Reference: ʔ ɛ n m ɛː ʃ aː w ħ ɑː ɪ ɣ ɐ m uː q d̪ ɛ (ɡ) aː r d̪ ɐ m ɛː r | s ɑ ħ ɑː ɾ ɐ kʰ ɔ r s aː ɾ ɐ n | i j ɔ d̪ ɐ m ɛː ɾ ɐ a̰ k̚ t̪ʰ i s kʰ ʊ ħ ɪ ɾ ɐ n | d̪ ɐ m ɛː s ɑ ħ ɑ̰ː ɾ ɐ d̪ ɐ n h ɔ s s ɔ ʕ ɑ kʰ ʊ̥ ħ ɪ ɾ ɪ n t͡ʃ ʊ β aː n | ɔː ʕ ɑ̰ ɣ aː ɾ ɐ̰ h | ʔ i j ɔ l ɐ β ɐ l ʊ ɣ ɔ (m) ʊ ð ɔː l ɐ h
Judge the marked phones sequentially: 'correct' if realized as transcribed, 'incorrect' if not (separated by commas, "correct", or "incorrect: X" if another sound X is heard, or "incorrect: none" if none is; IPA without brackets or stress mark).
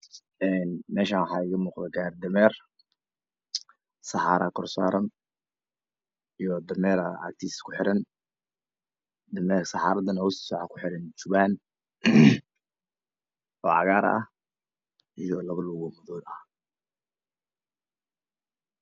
correct, correct